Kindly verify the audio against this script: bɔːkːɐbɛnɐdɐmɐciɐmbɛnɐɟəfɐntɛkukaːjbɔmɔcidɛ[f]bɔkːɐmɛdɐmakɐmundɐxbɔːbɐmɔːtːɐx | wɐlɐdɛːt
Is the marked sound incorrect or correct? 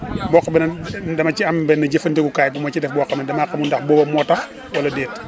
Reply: correct